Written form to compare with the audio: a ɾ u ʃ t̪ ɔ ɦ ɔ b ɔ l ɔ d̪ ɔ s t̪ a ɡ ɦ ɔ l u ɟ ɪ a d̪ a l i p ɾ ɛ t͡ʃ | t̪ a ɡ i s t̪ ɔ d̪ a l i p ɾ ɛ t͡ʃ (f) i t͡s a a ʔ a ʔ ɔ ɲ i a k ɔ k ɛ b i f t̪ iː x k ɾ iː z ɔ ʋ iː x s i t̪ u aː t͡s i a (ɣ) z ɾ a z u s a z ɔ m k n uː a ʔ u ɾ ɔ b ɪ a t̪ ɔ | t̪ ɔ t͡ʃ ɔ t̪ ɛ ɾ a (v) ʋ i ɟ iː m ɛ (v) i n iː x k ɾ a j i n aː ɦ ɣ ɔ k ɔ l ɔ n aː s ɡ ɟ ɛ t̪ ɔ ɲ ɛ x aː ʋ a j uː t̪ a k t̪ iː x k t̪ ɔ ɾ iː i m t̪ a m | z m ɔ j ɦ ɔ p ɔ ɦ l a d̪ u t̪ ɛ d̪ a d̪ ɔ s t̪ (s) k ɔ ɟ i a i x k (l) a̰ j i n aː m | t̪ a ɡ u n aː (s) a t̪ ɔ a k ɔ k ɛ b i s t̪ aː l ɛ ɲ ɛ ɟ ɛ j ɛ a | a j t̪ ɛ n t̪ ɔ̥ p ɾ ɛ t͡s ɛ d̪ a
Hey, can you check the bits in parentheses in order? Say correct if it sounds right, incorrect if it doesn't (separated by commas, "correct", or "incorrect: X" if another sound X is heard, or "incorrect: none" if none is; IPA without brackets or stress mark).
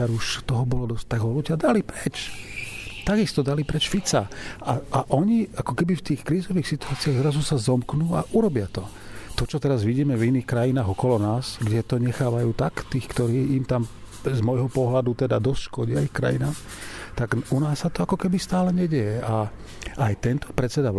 correct, correct, incorrect: z, correct, incorrect: ʃ, incorrect: ɾ, incorrect: sː